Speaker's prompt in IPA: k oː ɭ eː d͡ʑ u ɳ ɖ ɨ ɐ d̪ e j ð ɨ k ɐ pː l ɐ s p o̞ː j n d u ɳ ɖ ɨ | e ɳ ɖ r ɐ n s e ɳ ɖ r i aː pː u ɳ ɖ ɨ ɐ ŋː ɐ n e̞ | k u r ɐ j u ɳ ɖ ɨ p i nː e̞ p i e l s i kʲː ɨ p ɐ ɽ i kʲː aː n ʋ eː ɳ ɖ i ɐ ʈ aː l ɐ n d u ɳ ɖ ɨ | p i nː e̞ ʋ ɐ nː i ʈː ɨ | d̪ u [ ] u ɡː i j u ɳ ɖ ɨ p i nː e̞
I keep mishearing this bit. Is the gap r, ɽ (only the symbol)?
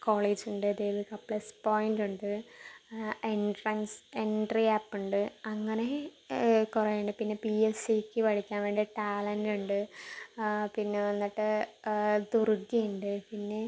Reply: r